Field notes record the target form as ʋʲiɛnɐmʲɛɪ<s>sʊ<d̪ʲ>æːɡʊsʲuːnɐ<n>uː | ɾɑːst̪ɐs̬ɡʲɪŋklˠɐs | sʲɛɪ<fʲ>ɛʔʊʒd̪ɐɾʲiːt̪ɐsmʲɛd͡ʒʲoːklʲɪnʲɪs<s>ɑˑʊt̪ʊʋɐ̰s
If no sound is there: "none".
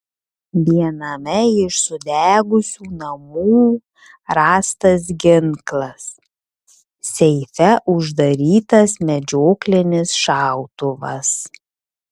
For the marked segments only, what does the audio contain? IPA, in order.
ʃ, d̪ʲ, m, fʲ, ʃ

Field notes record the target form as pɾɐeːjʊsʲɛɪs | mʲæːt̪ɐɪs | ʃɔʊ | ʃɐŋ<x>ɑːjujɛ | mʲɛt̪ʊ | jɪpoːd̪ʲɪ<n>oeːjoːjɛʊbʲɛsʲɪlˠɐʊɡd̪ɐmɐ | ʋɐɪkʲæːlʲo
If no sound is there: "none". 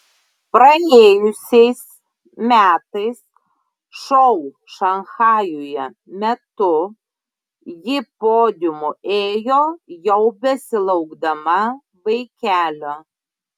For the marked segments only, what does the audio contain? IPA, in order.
x, m

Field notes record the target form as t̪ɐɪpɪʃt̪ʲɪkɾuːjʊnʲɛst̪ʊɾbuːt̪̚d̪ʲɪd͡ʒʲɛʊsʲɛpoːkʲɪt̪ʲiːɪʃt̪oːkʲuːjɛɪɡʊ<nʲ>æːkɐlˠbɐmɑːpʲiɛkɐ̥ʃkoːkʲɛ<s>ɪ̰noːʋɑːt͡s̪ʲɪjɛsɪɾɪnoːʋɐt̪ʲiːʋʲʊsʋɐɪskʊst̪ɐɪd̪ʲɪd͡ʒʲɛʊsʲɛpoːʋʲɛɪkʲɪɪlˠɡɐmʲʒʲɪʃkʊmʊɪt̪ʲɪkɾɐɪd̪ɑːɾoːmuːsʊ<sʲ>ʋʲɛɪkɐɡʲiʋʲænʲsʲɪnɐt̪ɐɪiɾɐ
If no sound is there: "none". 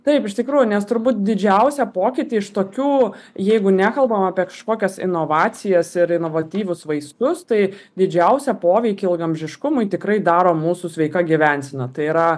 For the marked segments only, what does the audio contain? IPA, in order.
nʲ, s, sʲ

